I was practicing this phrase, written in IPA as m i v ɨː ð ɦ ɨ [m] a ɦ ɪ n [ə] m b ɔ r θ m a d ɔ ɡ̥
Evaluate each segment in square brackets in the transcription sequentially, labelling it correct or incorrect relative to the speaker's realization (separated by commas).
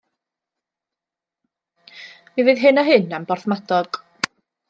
incorrect, incorrect